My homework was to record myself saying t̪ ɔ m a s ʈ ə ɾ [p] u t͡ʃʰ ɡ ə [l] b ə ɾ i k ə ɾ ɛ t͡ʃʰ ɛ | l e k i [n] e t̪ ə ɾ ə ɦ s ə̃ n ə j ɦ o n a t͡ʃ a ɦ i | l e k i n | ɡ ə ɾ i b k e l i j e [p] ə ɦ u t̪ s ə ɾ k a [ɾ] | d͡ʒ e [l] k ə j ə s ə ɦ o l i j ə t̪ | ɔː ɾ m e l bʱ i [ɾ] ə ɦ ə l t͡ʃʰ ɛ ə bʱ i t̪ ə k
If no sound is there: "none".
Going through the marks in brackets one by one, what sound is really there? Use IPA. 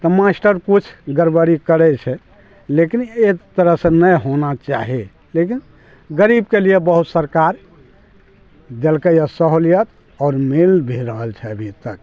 k, ɾ, n, b, ɾ, l, ɾ

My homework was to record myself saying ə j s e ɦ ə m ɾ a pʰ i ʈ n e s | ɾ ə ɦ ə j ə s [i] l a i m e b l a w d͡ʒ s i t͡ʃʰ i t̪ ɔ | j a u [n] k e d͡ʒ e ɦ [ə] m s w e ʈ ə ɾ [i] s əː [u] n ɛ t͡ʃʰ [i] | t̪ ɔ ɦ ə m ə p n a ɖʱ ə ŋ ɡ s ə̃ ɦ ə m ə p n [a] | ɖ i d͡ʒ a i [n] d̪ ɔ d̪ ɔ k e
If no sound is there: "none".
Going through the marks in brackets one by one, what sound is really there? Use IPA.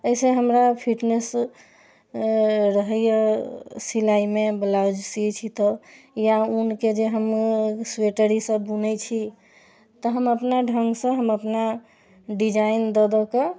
i, n, ə, i, u, i, a, n

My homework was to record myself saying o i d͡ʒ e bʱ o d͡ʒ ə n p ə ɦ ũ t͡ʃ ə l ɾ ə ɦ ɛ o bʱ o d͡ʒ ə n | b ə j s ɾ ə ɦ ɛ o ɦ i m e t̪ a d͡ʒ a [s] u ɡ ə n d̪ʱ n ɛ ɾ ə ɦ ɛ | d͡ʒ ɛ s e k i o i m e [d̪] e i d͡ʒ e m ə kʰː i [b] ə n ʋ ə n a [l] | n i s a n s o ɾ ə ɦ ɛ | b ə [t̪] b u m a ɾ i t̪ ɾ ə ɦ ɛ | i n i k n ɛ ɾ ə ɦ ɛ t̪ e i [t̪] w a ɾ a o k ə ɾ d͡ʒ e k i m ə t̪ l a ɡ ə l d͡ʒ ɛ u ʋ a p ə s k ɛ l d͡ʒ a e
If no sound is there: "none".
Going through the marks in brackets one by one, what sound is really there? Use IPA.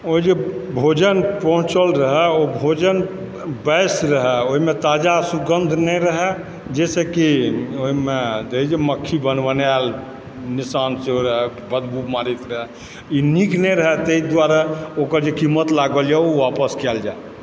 s, d̪, b, l, d̪, d̪

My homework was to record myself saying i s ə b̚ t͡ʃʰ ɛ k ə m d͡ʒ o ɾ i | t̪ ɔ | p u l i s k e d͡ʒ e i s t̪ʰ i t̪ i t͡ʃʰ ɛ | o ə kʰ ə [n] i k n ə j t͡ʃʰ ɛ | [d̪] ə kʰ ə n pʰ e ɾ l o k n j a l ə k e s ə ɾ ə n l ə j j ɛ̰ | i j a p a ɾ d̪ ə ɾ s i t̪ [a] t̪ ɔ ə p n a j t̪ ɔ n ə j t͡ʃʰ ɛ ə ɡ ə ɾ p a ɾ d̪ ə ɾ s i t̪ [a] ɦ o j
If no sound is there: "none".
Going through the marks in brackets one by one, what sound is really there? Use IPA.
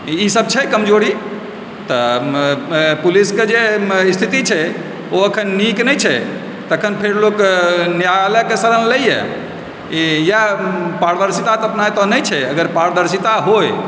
nː, t̪, a, a

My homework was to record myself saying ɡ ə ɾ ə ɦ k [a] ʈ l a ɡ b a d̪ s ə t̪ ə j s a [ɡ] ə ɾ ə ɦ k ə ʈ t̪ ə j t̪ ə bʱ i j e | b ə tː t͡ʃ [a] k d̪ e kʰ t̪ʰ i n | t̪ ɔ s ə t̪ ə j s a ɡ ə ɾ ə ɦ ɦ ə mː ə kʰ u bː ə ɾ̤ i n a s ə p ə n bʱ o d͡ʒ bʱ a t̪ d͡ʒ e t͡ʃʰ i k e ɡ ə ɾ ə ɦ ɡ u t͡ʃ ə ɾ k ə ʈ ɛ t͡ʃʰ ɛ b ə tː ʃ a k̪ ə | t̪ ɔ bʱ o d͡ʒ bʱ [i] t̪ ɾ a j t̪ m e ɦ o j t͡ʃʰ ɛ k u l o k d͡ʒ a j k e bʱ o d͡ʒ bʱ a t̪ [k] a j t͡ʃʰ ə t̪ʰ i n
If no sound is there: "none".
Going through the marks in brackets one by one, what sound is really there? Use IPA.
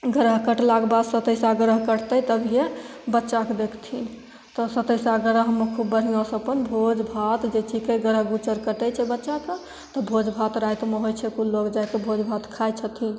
ə, ɡ, a, a, kʰ

